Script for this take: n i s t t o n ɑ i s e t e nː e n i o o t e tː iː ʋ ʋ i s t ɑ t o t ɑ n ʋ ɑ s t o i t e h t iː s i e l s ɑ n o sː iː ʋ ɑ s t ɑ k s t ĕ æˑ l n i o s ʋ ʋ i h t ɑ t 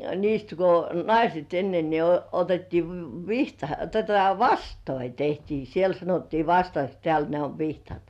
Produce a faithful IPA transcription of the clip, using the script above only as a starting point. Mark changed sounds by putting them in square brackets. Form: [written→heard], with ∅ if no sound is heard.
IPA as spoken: n [i→iː] s t [t→k] o n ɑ i s e t e nː e n i o o t e tː iː ʋ ʋ i [s→h] t ɑ t o t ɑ [n→∅] ʋ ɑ s t o i t e h t iː s i e l s ɑ n o [sː→tː] iː ʋ ɑ s t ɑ k s t ĕ æˑ l n [i→e] o [s→∅] ʋ ʋ i h t ɑ t